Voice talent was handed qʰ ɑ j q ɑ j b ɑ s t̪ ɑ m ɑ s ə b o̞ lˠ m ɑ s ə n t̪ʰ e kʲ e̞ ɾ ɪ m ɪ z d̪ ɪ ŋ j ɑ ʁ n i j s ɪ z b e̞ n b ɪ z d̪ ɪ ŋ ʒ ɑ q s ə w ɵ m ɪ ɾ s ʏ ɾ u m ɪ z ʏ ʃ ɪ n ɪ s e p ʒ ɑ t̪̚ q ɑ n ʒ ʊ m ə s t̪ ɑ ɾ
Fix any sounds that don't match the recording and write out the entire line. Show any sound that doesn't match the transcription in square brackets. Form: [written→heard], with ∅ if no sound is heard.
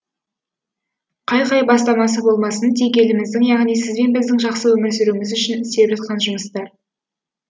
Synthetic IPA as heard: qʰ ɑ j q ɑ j b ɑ s t̪ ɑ m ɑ s ə b o̞ lˠ m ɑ s ə n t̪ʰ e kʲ e̞ [ɾ→l] ɪ m ɪ z d̪ ɪ ŋ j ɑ ʁ n i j s ɪ z b e̞ n b ɪ z d̪ ɪ ŋ ʒ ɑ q s ə w ɵ m ɪ ɾ s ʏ ɾ u m ɪ z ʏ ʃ ɪ n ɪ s e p ʒ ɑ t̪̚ q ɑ n ʒ ʊ m ə s t̪ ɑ ɾ